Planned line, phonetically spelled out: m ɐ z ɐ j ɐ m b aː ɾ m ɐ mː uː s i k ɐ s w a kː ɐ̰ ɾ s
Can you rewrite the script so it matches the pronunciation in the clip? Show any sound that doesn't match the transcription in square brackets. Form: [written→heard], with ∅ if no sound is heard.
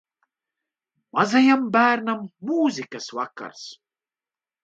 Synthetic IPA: m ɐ z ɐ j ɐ m b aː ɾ [m→n] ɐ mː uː [s→z] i k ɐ s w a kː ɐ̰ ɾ s